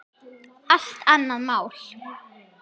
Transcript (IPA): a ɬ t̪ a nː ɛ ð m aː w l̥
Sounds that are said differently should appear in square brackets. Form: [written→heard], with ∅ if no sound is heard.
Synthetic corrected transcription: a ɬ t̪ a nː [ɛ→a] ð m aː w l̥

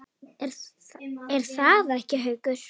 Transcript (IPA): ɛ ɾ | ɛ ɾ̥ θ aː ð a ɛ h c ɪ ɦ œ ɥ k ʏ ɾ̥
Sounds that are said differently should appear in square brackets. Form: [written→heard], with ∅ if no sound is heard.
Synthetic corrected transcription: ɛ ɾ | ɛ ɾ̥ θ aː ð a ɛ h c ɪ ɦ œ ɥ k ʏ ɾ̥

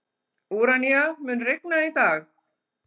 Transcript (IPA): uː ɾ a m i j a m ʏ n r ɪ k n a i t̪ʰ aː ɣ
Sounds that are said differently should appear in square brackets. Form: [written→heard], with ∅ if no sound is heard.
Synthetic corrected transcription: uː ɾ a [m→n] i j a m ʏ n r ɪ k n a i [t̪ʰ→t̪] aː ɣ

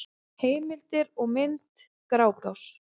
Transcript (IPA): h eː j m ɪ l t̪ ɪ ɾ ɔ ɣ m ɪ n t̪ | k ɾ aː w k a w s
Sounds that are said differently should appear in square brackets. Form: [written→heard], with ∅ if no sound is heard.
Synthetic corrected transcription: h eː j m ɪ l t̪ ɪ ɾ ɔ ɣ m ɪ n t̪ | k ɾ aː w k a w s

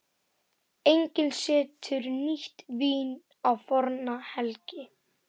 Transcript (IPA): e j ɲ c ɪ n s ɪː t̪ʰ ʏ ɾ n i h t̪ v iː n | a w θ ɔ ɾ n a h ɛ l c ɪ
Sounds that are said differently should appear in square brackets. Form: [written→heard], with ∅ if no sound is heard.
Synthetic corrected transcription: e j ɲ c ɪ n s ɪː t̪ʰ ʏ ɾ n i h t̪ v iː n | a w [θ→f] ɔ ɾ n a h ɛ l c ɪ

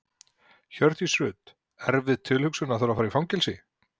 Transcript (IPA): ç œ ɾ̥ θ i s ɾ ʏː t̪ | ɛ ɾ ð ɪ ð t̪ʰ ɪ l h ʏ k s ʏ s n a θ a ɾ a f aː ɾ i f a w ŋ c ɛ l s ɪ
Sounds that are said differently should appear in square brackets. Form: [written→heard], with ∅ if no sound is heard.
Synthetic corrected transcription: ç œ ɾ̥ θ i s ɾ ʏː t̪ | ɛ ɾ [ð→v] ɪ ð t̪ʰ ɪ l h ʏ k s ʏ [s→∅] n a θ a ɾ a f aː ɾ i f a w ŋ c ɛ l s ɪ

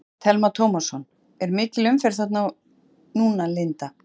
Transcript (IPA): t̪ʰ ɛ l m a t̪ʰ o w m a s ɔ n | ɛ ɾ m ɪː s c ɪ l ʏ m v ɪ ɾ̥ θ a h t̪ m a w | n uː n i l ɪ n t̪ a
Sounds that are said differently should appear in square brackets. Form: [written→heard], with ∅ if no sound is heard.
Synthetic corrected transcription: t̪ʰ ɛ l m a t̪ʰ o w m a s ɔ n | ɛ ɾ m ɪː [s→∅] c ɪ l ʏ m [v→f] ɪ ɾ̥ θ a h t̪ [m→n] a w | n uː n [i→a] l ɪ n t̪ a

